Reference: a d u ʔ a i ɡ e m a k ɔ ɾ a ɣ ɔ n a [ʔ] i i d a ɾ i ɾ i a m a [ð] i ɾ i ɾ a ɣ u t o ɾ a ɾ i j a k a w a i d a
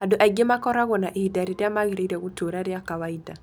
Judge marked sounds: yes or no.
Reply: yes, no

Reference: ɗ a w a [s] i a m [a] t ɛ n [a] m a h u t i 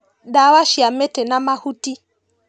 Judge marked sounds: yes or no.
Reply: no, no, yes

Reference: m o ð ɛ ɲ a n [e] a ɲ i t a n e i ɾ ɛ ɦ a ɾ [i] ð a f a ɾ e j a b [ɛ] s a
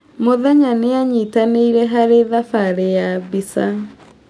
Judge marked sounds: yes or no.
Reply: yes, no, no

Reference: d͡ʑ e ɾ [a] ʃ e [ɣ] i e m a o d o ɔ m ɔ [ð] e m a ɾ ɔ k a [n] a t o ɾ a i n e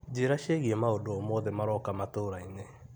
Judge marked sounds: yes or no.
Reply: yes, yes, yes, no

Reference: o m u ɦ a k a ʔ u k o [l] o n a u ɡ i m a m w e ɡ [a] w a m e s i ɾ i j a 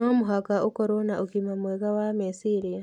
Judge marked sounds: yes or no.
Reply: no, yes

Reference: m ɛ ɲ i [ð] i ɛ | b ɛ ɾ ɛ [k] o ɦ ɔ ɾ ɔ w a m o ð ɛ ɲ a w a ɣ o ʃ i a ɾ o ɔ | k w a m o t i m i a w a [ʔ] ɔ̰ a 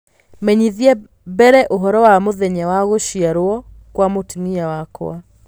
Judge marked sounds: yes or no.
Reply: yes, no, no

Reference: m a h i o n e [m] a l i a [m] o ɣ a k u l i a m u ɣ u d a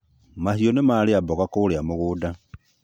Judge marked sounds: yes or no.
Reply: yes, no

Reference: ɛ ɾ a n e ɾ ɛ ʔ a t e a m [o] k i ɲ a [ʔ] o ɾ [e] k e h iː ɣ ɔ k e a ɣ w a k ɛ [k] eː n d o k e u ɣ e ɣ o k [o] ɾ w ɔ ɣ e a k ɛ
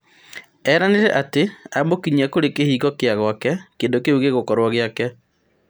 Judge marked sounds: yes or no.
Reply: yes, no, yes, yes, no

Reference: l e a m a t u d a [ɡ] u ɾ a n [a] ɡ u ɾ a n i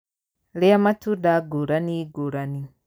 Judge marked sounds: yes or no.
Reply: yes, no

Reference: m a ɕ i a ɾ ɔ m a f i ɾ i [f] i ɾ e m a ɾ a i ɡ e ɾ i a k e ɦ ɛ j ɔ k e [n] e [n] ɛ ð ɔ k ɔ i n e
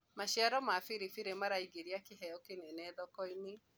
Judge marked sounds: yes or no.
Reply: yes, yes, yes

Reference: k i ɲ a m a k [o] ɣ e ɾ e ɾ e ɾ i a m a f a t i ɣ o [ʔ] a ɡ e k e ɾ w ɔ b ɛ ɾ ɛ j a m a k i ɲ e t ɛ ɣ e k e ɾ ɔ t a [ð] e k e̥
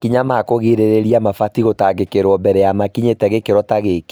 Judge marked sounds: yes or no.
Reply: yes, no, no

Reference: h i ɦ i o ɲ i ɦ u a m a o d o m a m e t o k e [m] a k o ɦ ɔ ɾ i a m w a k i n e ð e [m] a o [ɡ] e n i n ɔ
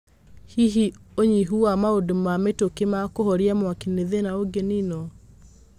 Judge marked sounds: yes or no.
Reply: yes, no, yes

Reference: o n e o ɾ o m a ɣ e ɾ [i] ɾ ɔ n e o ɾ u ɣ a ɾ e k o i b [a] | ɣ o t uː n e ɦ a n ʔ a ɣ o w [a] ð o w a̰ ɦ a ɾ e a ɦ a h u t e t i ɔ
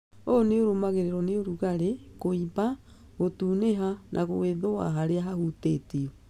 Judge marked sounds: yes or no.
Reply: no, yes, no

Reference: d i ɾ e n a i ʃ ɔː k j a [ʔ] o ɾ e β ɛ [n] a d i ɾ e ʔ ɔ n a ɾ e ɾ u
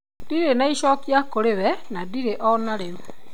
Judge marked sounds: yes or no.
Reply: no, yes

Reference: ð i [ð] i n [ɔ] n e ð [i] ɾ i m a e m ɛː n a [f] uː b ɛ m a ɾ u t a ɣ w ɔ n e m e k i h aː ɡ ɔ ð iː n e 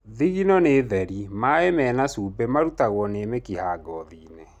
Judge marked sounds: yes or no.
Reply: no, yes, no, no

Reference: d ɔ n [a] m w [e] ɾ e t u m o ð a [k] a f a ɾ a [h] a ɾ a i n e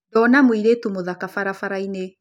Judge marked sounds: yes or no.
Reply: yes, no, yes, no

